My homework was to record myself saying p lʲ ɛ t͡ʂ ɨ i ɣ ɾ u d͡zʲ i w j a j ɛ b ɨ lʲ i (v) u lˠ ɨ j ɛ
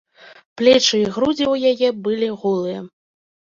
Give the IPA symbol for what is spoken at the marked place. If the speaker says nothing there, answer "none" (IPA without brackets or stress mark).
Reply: ɣ